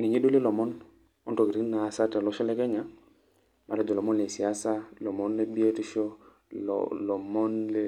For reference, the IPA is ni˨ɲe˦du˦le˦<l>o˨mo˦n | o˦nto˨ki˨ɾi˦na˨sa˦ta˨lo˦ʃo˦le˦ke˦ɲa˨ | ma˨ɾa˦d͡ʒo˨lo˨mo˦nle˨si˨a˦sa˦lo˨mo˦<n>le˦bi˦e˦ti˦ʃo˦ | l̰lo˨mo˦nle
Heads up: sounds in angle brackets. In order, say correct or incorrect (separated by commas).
correct, correct